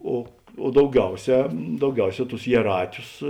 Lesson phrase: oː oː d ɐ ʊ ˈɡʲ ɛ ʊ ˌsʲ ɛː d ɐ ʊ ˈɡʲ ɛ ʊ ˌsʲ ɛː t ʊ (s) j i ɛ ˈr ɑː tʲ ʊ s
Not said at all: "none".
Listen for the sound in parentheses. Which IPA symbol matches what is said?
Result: s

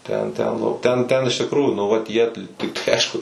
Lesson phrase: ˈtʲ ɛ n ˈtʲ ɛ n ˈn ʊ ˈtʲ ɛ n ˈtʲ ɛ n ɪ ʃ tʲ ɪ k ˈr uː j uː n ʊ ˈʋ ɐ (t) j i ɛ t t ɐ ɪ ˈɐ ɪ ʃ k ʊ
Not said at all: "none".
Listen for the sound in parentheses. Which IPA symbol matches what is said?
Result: t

